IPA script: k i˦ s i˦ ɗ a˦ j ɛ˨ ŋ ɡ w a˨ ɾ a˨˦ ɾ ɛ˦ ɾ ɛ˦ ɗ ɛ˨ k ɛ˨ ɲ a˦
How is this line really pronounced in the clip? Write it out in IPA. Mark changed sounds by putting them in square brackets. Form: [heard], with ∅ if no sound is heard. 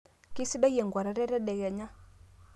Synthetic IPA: k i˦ s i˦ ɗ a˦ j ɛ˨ ŋ ɡ w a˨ ɾ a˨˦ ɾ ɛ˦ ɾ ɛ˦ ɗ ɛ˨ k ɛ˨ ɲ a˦